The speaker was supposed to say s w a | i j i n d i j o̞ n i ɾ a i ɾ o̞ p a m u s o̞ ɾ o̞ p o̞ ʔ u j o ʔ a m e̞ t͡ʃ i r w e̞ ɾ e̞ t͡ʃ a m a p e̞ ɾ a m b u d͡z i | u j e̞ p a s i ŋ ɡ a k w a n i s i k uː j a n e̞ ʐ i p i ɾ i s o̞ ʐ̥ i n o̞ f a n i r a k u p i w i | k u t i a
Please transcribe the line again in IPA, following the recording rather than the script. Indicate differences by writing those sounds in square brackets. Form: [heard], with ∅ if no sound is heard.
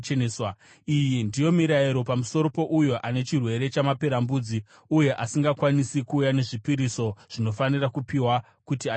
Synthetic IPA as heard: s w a | i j i n d i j o̞ [m] i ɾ a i ɾ o̞ p a m u s o̞ ɾ o̞ p o̞ ʔ u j o ʔ a [n] e̞ t͡ʃ i r w e̞ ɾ e̞ t͡ʃ a m a p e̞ ɾ a m b u d͡z i | u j e̞ [ʔ] a s i ŋ ɡ a k w a n i s i k uː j a n e̞ ʐ i p i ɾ i s o̞ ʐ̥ i n o̞ f a n i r a k u p i w [a] | k u t i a